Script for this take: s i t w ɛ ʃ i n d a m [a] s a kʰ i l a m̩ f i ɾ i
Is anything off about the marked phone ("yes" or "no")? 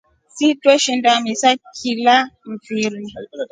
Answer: yes